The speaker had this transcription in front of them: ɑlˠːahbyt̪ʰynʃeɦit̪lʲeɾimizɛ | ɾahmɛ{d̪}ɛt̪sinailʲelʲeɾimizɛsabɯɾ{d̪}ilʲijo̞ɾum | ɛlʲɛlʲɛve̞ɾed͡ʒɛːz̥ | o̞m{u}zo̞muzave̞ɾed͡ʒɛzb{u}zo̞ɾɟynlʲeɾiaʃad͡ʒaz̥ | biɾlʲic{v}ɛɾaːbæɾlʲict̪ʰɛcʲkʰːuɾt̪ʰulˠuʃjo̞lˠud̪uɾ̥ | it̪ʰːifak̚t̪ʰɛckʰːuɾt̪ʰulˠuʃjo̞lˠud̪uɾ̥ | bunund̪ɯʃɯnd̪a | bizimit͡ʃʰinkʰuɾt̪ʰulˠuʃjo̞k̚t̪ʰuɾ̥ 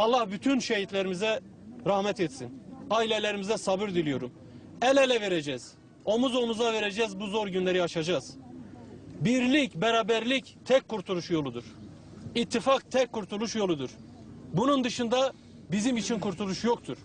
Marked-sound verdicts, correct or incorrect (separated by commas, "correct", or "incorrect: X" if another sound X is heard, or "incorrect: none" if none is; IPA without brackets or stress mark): incorrect: t̪, correct, correct, correct, incorrect: b